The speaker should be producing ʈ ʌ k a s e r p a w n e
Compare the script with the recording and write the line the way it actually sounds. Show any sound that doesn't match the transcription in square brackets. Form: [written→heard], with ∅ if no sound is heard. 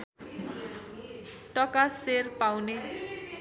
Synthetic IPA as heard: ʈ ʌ k a s e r p a w n e